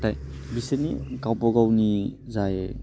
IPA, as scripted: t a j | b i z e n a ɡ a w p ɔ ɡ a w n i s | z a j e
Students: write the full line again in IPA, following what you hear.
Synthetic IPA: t a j | b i s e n i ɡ a w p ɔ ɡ a w n i | z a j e